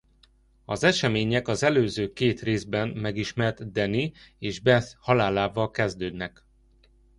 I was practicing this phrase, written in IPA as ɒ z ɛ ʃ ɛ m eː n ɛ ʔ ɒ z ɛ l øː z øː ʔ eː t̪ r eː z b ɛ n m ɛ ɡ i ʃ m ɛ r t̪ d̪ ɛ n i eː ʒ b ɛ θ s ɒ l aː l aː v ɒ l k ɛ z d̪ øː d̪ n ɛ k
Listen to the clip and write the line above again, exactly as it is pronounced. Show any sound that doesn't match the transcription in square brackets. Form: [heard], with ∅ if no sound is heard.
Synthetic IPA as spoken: ɒ z ɛ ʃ ɛ m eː [ɲ] ɛ [k] ɒ z ɛ l øː z øː [k] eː t̪ r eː z b ɛ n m ɛ ɡ i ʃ m ɛ r t̪ d̪ ɛ n i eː ʒ b ɛ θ [h] ɒ l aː l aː v ɒ l k ɛ z d̪ øː d̪ n ɛ k